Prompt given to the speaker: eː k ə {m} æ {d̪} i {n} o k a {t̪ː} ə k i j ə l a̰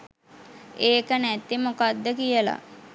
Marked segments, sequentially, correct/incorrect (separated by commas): incorrect, incorrect, incorrect, incorrect